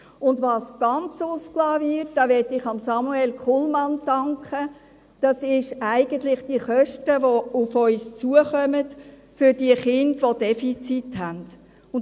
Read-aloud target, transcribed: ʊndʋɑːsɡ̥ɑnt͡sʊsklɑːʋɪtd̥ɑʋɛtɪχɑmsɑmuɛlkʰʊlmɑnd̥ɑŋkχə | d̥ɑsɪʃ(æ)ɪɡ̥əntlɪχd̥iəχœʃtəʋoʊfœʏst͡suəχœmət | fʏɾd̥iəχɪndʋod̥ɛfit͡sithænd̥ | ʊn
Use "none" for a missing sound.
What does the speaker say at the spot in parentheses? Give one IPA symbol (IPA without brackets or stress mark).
æ